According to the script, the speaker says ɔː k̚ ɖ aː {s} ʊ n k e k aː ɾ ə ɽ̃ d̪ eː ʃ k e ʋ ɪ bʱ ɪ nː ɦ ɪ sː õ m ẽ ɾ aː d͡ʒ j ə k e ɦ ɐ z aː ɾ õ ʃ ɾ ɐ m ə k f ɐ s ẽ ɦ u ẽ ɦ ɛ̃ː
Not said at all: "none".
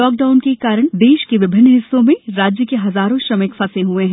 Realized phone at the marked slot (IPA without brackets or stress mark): none